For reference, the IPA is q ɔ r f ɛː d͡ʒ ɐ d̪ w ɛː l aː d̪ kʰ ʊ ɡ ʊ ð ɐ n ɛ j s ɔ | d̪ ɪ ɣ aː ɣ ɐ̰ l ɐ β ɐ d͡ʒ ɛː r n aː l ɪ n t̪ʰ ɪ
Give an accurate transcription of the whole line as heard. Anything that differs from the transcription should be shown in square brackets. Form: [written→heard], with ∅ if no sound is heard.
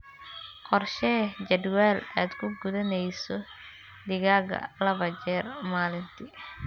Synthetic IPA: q ɔ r [f→ʃ] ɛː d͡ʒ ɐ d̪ w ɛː l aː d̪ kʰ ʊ ɡ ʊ ð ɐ n ɛ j s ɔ | d̪ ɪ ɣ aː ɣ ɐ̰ l ɐ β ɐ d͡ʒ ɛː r [n→m] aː l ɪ n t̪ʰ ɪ